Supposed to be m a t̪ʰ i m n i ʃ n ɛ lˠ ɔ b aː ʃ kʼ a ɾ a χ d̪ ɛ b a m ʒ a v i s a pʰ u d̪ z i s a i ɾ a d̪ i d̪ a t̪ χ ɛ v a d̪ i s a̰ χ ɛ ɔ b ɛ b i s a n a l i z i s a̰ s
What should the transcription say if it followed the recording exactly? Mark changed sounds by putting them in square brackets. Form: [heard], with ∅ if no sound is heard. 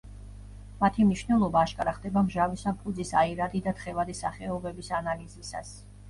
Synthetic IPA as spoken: m a t̪ʰ i m n i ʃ n ɛ lˠ ɔ b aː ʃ kʼ a ɾ a χ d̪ ɛ b a m ʒ a v i s a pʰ u d̪ z i s a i ɾ a d̪ i d̪ a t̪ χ ɛ v a d̪ i s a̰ χ ɛ ɔ b ɛ b i s a n a l i z i s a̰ s